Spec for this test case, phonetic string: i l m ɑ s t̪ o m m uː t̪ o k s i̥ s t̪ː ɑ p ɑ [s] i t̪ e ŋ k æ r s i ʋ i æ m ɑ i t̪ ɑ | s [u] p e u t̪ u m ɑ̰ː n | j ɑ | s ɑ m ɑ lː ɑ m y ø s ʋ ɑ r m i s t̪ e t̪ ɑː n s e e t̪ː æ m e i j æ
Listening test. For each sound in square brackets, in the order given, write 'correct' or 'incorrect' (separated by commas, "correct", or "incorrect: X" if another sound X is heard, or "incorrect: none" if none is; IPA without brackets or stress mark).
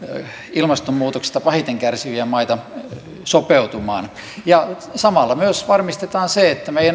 incorrect: h, incorrect: o